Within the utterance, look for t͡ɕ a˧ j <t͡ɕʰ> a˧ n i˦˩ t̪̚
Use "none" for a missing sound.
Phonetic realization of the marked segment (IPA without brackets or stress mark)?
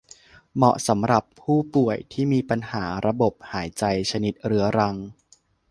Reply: t͡ɕʰ